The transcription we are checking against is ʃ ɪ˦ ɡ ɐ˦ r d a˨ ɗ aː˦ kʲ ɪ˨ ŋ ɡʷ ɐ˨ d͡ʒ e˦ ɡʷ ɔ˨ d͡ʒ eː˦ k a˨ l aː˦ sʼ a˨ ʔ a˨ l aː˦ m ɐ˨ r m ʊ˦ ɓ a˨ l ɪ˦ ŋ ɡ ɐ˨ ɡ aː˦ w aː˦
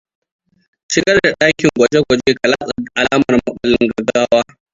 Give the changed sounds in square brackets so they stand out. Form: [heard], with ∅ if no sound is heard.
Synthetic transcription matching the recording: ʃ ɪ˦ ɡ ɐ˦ r d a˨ ɗ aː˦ kʲ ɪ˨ ŋ ɡʷ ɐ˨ d͡ʒ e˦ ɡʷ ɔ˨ d͡ʒ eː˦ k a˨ l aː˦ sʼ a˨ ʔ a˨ l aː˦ m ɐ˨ r m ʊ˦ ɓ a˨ l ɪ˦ ŋ ɡ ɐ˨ ɡ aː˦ w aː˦